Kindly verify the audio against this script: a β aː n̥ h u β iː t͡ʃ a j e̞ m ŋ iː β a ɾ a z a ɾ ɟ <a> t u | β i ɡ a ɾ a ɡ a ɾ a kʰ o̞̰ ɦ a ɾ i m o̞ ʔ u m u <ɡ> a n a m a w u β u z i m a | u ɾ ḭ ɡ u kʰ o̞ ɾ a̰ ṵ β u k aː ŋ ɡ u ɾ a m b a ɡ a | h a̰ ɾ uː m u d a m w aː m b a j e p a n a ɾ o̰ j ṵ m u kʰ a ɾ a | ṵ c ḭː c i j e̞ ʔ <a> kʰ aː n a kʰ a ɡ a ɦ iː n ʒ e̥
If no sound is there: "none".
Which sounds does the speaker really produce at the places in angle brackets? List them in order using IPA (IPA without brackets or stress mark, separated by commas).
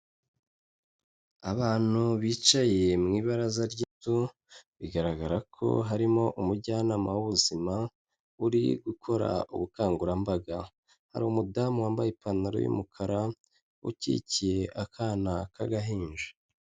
i, ɟ, a